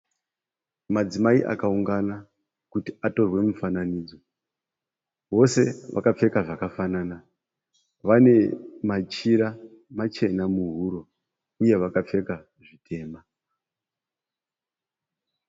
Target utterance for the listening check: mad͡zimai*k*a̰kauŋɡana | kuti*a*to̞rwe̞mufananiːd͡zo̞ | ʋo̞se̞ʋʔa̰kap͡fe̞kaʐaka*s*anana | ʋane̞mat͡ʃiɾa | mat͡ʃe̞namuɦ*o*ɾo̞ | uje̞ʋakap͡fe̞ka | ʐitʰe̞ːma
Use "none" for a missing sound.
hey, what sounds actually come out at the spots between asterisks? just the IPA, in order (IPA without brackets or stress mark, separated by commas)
ʔ, a, f, u